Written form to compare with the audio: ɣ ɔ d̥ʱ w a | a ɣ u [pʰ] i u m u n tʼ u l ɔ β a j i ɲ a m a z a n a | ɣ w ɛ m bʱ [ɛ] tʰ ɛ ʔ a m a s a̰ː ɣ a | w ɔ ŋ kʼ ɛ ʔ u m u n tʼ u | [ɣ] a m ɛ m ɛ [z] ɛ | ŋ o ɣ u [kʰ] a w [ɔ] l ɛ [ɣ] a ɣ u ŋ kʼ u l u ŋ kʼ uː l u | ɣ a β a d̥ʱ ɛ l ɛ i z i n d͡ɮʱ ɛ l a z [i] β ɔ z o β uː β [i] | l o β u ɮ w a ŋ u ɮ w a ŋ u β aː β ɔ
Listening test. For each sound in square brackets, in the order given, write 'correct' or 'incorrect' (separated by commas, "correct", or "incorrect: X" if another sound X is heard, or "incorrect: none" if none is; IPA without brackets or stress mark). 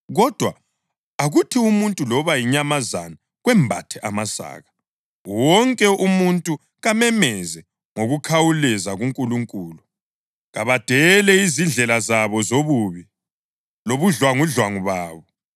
incorrect: tʰ, incorrect: a, correct, correct, correct, incorrect: u, incorrect: z, incorrect: a, correct